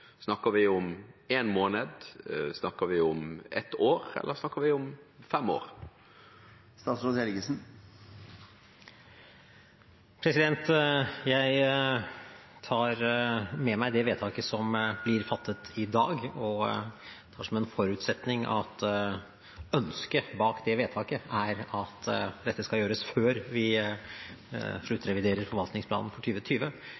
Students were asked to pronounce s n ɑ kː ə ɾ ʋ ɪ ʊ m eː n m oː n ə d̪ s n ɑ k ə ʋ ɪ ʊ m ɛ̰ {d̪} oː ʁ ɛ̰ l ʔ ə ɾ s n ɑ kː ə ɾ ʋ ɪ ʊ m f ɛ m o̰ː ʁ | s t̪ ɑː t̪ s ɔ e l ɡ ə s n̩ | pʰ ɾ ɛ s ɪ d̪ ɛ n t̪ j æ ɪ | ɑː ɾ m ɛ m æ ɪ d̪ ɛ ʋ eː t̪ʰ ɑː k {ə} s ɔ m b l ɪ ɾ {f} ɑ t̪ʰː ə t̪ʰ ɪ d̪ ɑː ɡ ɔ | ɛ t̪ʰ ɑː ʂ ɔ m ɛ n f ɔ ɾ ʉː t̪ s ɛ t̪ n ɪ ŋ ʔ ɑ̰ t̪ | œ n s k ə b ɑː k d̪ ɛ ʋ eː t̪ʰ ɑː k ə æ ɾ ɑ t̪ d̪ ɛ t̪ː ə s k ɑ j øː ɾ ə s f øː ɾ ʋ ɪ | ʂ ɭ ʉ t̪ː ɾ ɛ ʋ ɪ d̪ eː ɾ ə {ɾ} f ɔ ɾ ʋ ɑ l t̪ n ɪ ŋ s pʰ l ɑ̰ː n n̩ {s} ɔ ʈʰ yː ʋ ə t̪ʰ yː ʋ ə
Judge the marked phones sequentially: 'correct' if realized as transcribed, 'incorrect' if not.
incorrect: t̪, correct, correct, correct, incorrect: f

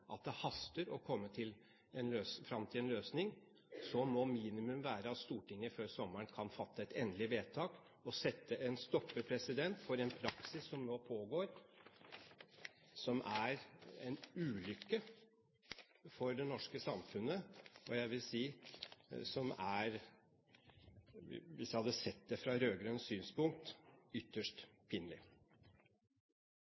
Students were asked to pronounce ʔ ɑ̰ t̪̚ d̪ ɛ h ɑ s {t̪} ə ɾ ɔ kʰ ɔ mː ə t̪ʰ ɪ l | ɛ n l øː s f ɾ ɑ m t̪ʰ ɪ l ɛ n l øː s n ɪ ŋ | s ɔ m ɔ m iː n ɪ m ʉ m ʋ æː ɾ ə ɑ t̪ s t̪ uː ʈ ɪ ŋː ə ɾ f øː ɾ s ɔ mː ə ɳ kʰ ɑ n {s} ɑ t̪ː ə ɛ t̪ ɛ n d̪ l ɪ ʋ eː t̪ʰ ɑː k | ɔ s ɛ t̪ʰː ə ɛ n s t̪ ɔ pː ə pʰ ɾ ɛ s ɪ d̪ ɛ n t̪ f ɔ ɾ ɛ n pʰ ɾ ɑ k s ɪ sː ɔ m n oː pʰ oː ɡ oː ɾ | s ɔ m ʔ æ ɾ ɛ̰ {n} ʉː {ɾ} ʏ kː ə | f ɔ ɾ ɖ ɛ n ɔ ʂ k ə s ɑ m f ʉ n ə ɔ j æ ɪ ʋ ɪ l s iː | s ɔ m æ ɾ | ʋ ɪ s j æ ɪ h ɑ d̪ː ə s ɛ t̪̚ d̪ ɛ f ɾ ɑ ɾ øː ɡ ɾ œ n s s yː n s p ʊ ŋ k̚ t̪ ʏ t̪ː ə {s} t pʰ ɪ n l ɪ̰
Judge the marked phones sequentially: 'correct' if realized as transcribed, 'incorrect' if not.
correct, incorrect: f, correct, incorrect: l, incorrect: ʂ

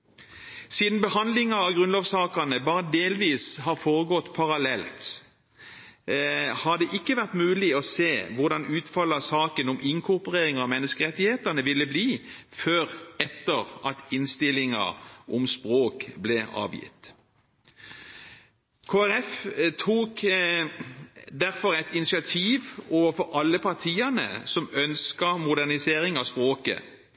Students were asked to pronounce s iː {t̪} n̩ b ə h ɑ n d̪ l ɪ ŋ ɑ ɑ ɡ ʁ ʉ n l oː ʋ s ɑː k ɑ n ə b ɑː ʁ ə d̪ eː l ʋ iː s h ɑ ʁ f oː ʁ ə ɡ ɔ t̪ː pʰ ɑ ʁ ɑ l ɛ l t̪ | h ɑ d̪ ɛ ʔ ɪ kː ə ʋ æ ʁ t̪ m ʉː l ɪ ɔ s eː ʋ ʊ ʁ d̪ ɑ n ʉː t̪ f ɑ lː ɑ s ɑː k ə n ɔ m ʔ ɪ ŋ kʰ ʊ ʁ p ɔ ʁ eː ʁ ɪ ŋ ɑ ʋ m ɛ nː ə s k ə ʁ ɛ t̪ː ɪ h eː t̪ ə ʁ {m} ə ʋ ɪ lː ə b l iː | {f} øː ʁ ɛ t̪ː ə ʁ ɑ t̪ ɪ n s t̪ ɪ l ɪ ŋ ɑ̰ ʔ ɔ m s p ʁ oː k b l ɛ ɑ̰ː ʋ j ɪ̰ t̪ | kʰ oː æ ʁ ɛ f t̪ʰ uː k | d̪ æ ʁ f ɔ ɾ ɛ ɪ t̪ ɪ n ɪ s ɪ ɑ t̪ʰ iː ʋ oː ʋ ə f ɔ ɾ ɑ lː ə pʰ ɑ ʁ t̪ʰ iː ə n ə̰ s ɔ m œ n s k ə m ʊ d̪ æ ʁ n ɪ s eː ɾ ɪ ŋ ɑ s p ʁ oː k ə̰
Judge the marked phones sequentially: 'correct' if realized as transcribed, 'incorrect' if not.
incorrect: d̪, incorrect: n, correct

